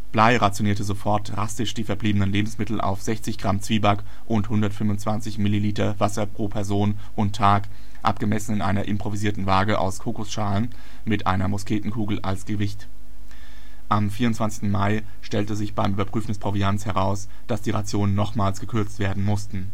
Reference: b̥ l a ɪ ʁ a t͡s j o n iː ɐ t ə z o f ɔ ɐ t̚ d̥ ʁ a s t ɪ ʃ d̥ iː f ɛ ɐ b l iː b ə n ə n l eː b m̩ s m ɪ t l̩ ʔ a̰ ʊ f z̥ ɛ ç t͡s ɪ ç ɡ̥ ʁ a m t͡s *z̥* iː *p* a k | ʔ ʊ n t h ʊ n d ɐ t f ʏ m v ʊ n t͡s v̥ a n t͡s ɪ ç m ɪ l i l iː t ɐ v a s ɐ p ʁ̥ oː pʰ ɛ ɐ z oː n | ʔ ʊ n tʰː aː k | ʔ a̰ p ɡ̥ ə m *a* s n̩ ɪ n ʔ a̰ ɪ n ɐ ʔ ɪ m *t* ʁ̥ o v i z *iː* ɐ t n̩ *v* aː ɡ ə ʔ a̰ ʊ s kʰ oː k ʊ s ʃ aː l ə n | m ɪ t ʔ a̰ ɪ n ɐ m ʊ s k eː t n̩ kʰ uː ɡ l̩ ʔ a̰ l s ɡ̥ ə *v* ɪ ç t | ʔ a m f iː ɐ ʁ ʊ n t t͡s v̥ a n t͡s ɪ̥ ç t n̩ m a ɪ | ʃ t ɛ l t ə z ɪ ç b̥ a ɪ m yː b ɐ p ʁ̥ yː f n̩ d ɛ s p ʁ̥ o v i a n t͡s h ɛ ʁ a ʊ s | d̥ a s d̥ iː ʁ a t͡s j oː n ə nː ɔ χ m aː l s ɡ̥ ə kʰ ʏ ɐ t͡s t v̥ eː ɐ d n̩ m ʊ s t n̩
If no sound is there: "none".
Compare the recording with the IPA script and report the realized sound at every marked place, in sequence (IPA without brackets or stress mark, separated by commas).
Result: v̥, b, ɛ, p, iː, v, v